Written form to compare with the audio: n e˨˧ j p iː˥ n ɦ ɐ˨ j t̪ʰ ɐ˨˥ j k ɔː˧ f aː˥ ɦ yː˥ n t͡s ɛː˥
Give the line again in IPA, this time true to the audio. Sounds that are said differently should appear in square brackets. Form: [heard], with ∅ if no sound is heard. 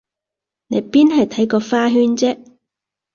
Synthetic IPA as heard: n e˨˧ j p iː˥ n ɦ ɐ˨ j t̪ʰ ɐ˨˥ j k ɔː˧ f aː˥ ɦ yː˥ n t͡s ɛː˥